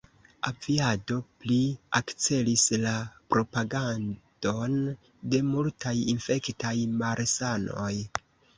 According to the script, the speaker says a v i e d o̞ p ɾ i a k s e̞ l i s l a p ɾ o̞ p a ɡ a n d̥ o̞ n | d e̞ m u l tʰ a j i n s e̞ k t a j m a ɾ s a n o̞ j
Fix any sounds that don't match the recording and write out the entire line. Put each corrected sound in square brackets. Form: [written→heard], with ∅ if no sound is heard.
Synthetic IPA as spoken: a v i [e→a] d o̞ p [ɾ→l] i a k [s→t͡s] e̞ l i s l a p ɾ o̞ p a ɡ a n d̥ o̞ n | d e̞ m u l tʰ a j i n [s→f] e̞ k t a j m a ɾ s a n o̞ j